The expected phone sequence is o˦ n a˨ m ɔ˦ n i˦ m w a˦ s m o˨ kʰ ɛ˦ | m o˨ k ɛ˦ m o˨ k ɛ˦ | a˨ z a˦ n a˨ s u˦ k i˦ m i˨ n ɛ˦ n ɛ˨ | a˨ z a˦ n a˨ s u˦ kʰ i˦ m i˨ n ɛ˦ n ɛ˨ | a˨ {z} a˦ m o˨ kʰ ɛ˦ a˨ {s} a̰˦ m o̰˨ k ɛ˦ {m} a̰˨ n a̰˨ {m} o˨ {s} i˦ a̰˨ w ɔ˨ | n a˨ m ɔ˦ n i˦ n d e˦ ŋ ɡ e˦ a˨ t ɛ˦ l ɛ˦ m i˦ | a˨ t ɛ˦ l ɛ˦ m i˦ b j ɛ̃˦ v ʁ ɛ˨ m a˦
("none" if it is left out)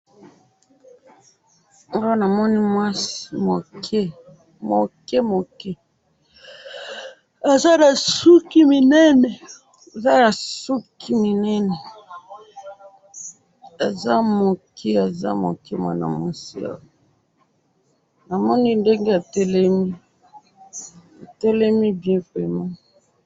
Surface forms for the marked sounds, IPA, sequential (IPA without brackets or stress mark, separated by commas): z, z, m, m, s